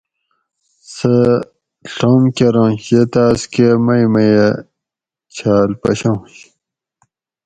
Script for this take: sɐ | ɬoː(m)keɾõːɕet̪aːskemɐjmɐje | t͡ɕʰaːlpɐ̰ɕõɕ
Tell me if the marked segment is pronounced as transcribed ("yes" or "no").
yes